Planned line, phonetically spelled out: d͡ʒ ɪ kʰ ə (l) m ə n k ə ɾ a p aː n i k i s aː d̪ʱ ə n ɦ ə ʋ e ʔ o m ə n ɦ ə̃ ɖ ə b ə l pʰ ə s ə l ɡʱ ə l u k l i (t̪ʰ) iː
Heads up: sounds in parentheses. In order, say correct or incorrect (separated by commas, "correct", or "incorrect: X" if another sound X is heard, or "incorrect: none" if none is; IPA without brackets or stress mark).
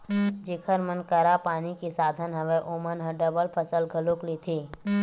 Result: incorrect: ɾ, correct